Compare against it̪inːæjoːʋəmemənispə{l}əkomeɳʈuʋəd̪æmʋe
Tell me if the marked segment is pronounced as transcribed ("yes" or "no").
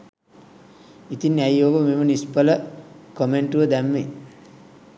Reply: yes